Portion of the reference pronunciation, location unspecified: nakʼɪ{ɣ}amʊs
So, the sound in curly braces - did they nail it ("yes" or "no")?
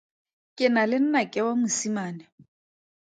no